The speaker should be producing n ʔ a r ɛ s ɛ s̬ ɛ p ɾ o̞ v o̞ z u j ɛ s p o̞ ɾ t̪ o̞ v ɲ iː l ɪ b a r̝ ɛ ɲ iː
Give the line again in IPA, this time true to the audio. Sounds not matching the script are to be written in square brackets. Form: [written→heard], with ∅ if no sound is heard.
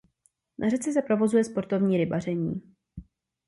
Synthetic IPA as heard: n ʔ a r ɛ [s→t͡s] ɛ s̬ ɛ p ɾ o̞ v o̞ z u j ɛ s p o̞ ɾ t̪ o̞ v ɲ iː [l→ɾ] ɪ b a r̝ ɛ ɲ iː